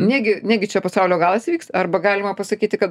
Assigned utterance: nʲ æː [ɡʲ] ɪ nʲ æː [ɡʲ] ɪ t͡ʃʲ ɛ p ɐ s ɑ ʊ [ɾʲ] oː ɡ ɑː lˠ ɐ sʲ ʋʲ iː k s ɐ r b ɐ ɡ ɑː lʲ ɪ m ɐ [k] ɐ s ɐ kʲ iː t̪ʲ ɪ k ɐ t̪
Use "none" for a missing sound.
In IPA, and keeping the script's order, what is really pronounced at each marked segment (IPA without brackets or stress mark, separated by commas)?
ɡʲ, ɡʲ, lʲ, p